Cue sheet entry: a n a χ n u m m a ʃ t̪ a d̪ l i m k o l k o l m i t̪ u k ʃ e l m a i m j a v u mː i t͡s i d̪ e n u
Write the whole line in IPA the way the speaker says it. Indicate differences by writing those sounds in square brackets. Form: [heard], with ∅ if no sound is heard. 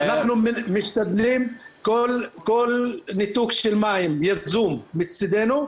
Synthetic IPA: a n a χ n u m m [i] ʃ t̪ a d̪ l i m k o l k o l [n] i t̪ u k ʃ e l m a i m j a [z] u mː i t͡s i d̪ e n u